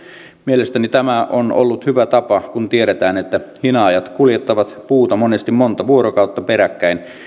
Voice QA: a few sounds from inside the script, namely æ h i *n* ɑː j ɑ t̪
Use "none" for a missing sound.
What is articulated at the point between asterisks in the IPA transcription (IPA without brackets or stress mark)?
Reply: n